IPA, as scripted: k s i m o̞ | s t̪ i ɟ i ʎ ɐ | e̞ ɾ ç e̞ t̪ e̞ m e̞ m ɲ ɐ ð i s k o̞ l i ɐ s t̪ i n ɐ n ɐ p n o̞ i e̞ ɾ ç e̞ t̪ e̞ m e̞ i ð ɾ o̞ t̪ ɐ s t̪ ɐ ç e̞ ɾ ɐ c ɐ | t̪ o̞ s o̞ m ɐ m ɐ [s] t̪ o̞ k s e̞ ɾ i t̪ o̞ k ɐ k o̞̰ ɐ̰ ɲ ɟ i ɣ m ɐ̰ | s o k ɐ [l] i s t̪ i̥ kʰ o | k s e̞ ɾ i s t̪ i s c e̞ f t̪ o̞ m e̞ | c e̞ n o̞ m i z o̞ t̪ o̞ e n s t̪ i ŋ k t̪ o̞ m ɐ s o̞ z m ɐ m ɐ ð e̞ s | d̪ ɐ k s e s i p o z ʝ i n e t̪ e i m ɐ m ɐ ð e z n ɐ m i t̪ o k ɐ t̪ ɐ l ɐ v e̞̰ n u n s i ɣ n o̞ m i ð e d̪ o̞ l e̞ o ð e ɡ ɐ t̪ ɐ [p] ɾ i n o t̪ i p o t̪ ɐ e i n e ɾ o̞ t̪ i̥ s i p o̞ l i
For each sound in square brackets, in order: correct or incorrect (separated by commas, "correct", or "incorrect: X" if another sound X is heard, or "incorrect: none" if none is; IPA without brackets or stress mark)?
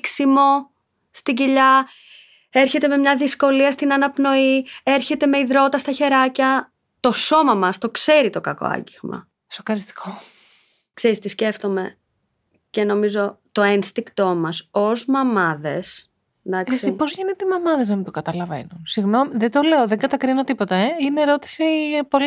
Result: correct, incorrect: ɾ, incorrect: k